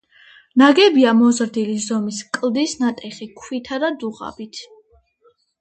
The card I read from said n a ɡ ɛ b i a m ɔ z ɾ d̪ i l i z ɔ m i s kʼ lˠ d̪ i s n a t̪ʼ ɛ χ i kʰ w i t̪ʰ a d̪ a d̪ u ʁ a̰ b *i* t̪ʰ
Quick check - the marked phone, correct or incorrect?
correct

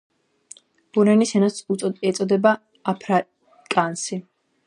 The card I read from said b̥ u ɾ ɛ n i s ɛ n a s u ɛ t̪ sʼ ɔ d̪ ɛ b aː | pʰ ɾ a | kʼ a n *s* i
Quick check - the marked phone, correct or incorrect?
correct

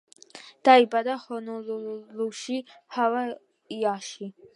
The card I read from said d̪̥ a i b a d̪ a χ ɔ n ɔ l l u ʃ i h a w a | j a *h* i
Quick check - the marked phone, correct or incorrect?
incorrect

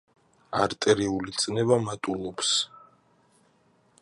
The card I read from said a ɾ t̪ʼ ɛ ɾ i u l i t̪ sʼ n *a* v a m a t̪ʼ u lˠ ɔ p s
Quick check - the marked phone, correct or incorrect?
incorrect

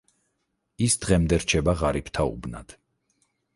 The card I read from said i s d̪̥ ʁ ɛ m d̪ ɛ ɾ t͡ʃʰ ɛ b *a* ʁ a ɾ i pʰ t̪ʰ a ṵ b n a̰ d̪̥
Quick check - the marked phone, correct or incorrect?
correct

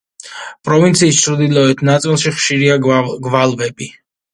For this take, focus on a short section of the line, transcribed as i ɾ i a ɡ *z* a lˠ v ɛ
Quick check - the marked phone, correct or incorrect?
incorrect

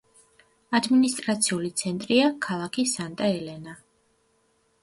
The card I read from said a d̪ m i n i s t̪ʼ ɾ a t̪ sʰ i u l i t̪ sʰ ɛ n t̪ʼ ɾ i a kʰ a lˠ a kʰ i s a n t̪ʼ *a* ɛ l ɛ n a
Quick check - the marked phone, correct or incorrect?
correct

